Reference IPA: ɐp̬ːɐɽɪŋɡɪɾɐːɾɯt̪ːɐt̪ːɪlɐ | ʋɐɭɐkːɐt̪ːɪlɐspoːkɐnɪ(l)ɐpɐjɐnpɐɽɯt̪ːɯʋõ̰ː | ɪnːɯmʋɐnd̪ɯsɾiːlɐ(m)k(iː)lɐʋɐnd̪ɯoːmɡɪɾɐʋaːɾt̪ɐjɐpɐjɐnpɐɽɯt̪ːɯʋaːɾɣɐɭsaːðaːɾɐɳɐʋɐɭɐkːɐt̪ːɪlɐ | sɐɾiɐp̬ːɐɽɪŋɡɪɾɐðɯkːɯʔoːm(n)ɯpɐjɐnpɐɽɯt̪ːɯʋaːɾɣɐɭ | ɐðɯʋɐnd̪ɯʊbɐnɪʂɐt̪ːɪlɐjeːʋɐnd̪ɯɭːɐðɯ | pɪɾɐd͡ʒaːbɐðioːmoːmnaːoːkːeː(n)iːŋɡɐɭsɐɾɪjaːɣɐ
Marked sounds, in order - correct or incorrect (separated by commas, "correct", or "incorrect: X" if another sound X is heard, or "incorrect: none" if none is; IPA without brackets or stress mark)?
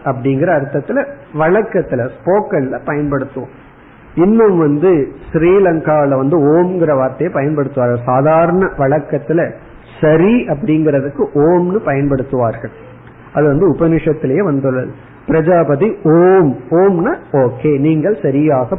correct, incorrect: ŋ, incorrect: aː, correct, correct